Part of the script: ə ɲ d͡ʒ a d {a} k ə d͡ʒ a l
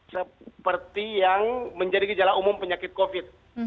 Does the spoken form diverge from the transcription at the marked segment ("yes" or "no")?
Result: yes